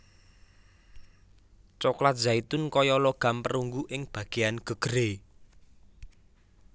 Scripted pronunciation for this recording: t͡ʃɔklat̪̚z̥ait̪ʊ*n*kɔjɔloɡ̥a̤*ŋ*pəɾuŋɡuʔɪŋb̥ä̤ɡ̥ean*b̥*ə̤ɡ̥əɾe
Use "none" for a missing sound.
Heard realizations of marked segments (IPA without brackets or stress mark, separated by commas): n, m, ɡ̥